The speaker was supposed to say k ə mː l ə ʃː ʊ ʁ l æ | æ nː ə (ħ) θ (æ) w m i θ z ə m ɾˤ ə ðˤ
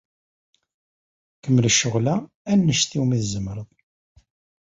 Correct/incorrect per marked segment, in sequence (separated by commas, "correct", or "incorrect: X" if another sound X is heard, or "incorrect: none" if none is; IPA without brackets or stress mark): incorrect: ʃ, incorrect: i